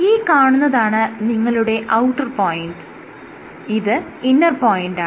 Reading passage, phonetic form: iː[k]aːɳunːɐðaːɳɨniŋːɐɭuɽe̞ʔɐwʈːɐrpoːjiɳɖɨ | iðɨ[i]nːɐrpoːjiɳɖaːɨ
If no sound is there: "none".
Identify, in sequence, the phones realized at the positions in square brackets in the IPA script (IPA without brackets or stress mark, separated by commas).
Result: k, i